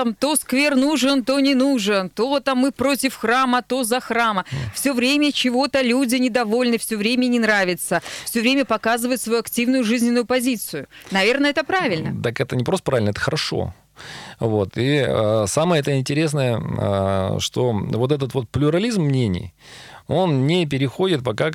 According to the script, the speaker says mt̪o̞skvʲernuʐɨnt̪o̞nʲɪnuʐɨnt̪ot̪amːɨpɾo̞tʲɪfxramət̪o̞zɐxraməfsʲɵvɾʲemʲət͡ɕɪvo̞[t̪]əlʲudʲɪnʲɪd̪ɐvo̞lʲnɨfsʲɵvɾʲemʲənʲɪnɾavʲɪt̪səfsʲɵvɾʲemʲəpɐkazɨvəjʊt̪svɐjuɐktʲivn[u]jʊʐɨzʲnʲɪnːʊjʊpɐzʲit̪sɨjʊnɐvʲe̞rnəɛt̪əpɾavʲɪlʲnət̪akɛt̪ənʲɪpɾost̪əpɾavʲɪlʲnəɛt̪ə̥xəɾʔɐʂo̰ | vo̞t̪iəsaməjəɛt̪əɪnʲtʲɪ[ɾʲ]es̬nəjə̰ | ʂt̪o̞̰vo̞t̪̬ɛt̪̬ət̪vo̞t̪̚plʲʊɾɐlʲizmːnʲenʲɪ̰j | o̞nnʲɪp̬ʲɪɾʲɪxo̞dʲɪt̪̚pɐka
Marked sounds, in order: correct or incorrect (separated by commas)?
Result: correct, incorrect, correct